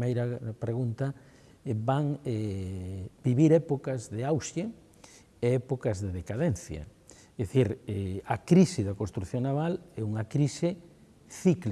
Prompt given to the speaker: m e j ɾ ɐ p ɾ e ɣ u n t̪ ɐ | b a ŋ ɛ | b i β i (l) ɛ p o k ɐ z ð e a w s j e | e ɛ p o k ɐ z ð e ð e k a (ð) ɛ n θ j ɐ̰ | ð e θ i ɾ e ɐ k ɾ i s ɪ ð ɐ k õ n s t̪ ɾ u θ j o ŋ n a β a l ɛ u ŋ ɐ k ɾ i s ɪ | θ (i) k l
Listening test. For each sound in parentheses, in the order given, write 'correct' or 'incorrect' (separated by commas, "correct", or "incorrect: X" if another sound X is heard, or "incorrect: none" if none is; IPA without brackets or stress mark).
incorrect: ɾ, correct, correct